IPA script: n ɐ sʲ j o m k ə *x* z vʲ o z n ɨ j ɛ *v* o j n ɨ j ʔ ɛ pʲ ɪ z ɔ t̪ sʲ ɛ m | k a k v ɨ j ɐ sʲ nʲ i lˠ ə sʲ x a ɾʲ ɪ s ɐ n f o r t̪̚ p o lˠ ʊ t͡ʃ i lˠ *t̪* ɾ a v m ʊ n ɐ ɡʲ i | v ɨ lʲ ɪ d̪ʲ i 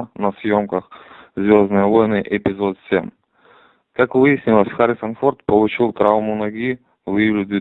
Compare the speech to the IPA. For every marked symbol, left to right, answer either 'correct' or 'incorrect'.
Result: correct, correct, correct

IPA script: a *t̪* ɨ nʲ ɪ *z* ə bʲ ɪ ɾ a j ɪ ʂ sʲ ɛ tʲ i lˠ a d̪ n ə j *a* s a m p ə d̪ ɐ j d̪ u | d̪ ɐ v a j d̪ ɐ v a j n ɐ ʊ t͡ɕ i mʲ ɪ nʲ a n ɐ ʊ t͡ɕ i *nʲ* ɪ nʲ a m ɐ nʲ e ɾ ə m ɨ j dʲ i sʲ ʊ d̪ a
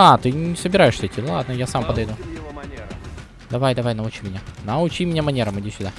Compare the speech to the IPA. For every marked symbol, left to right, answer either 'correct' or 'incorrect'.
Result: correct, incorrect, correct, incorrect

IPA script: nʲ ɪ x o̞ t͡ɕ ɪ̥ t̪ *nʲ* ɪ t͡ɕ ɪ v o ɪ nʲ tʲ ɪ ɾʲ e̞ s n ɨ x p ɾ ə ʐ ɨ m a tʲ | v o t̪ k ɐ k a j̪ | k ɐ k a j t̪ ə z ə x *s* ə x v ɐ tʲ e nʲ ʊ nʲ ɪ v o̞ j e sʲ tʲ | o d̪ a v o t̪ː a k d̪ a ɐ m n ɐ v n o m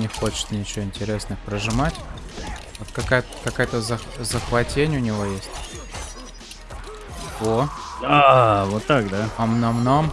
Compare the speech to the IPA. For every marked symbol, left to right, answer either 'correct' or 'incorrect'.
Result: correct, incorrect

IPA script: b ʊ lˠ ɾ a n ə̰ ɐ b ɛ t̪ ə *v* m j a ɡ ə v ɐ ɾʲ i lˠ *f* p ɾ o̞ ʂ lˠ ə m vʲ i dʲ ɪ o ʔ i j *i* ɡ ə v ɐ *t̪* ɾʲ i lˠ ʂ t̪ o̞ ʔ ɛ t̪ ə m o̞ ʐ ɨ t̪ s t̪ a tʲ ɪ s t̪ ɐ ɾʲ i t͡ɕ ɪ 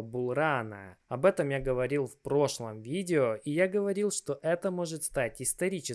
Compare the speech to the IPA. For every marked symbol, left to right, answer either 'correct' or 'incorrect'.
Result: incorrect, correct, incorrect, incorrect

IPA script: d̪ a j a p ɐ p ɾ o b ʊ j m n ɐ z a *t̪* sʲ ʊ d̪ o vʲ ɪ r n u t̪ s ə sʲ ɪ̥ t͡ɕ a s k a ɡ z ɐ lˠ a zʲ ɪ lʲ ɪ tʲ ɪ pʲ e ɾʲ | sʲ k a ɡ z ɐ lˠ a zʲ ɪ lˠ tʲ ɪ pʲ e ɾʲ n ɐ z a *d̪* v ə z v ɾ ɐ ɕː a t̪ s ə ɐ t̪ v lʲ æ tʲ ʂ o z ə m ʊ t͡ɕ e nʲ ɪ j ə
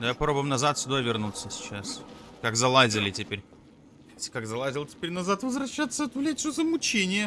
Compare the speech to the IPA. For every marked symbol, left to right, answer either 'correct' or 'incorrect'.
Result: correct, incorrect

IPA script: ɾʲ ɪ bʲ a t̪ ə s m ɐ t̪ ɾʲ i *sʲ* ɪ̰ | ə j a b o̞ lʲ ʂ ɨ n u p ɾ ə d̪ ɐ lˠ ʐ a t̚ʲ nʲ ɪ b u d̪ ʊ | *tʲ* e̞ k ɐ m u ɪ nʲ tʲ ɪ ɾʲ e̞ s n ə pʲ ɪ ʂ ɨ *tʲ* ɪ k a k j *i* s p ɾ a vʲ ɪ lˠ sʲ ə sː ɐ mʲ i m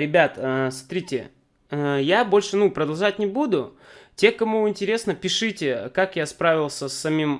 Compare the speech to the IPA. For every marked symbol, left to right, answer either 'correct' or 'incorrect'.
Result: incorrect, correct, correct, incorrect

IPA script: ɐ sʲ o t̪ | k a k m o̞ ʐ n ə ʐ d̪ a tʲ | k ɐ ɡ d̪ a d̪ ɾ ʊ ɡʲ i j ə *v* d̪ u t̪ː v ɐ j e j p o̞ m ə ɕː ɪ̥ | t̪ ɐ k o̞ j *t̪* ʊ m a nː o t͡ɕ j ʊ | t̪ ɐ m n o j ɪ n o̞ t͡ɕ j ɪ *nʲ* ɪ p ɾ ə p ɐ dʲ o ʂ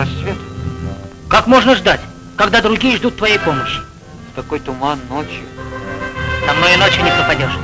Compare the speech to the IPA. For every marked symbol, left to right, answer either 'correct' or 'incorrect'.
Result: incorrect, correct, correct

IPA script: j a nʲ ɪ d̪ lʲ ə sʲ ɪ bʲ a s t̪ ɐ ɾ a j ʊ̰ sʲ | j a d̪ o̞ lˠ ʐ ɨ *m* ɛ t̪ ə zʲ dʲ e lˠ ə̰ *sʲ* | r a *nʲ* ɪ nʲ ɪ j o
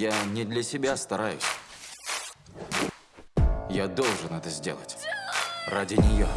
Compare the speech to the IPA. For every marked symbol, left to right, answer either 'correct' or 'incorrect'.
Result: incorrect, incorrect, incorrect

